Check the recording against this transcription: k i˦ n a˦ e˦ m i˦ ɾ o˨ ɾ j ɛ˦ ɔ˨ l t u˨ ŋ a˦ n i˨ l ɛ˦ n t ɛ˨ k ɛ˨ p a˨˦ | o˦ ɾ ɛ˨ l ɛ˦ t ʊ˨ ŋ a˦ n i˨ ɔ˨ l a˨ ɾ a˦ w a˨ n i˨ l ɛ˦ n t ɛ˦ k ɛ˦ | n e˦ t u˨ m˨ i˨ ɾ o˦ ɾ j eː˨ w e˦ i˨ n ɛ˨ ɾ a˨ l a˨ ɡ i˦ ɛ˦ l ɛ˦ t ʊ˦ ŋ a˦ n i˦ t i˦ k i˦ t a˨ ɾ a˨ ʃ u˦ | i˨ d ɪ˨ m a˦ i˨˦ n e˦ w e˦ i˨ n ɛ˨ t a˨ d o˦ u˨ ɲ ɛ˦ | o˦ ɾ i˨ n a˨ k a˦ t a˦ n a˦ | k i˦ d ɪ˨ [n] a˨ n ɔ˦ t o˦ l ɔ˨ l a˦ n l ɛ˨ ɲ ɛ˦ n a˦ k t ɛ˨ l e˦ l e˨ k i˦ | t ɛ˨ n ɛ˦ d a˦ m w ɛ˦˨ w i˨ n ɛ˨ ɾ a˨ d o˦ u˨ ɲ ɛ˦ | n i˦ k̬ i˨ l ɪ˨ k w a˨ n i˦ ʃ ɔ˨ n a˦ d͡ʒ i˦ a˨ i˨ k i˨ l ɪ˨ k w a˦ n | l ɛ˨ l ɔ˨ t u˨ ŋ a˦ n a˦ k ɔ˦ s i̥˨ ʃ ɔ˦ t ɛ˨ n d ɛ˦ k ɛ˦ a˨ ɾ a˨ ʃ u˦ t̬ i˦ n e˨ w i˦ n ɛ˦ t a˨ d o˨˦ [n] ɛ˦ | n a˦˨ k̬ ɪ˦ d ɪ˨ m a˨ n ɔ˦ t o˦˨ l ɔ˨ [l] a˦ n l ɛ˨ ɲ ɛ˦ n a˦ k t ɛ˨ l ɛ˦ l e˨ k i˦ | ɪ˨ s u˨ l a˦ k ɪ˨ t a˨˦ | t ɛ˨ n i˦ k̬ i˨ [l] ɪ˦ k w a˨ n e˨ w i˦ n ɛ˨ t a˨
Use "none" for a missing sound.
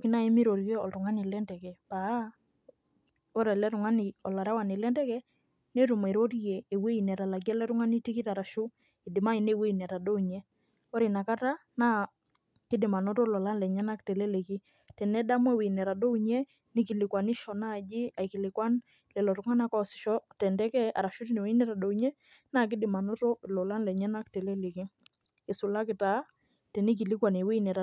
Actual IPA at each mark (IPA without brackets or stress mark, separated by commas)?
m, ɲ, l, l